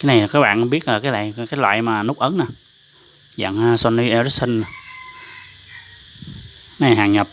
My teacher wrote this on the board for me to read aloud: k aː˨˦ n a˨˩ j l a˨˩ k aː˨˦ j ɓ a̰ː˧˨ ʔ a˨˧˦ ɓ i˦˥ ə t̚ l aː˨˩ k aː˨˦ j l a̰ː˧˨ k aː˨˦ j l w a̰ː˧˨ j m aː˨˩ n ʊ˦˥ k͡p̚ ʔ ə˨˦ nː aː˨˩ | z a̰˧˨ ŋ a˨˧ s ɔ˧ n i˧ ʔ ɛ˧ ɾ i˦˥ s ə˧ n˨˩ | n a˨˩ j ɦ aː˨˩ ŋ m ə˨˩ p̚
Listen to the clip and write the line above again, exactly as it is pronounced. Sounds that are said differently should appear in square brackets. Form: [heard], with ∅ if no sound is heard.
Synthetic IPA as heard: k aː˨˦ n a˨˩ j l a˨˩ k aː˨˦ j ɓ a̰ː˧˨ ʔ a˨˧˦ ɓ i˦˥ ə t̚ l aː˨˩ k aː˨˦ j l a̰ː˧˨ k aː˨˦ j l w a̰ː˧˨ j m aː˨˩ n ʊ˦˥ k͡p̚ ʔ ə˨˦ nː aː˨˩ | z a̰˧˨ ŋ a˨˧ s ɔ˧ n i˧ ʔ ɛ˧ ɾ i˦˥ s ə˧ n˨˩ | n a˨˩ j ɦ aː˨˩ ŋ [ɲ] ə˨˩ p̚